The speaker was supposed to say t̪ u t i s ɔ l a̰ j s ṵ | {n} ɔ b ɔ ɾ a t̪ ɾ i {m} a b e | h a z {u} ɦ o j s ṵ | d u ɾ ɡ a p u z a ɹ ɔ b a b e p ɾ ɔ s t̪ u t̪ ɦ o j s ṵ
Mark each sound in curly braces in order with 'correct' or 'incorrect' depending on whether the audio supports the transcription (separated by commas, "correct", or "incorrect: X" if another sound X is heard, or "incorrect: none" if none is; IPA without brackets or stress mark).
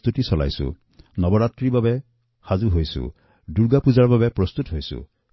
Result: correct, incorrect: b, correct